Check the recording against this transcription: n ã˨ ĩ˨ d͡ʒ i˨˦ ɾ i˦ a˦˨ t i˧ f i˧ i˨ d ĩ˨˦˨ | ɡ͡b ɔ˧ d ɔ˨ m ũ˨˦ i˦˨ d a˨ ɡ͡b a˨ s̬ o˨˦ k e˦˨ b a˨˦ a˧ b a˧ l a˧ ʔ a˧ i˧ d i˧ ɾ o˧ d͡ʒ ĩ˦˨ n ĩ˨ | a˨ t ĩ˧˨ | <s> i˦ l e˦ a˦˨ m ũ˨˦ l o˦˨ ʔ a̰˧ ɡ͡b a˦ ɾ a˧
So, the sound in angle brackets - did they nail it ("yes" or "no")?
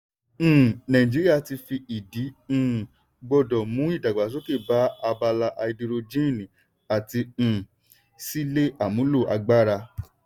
yes